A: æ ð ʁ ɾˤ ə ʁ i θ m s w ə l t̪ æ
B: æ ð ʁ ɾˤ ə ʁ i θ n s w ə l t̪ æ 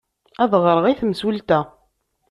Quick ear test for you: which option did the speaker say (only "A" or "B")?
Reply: A